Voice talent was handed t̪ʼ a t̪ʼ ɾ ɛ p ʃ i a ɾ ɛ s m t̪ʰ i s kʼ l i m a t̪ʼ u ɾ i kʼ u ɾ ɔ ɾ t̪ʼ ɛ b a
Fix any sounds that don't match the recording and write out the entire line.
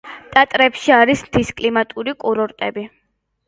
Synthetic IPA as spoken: t̪ʼ a t̪ʼ ɾ ɛ p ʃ i a ɾ i s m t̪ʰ i s kʼ l i m a t̪ʼ u ɾ i kʼ u ɾ ɔ ɾ t̪ʼ ɛ b i